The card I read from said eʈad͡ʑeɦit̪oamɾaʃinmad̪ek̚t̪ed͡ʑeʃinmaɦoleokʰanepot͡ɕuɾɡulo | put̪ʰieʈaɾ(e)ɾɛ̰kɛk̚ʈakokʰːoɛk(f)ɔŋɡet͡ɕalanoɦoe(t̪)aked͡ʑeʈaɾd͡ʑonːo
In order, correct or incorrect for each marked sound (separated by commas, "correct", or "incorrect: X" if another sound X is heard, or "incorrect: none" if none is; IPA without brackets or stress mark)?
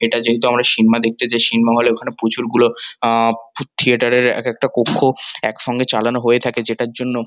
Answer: correct, incorrect: ʃ, incorrect: t̪ʰ